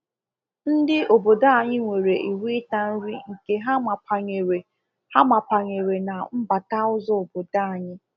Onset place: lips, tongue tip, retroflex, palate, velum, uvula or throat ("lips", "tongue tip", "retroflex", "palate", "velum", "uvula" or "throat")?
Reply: tongue tip